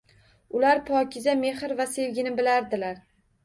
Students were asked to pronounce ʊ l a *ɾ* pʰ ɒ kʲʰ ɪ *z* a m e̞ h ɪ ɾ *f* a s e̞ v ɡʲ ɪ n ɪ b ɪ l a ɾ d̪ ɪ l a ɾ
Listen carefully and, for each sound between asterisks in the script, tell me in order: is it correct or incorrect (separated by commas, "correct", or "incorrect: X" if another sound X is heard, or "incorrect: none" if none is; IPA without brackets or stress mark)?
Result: correct, correct, incorrect: v